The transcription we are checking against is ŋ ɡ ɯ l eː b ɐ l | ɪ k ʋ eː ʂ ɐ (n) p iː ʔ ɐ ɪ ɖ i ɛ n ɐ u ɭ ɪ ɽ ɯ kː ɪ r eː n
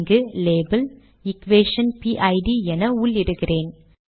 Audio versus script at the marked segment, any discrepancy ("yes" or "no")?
no